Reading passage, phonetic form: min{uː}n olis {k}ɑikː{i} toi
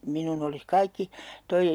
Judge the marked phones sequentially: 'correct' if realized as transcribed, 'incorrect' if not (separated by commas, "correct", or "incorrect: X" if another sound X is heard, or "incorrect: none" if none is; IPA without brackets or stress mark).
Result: incorrect: u, correct, correct